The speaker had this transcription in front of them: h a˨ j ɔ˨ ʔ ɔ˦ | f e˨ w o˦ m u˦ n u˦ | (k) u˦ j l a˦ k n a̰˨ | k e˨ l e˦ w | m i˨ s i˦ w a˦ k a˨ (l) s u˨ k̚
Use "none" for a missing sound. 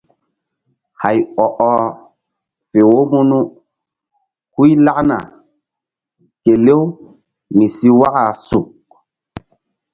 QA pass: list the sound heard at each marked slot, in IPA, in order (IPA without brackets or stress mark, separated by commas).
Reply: k, none